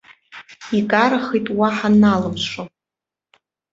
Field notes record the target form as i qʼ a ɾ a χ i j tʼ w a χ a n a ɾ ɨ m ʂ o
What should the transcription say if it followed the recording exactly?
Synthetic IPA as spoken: i kʼ a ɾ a χ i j tʼ w a ħ a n a l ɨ m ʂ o